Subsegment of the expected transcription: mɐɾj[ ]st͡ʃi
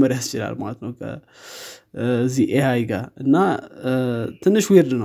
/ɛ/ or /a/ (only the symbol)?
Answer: a